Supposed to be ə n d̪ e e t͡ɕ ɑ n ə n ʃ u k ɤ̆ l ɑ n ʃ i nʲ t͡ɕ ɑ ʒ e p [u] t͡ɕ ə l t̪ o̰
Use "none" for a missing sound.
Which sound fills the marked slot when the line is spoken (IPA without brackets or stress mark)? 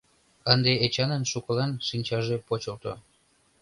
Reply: o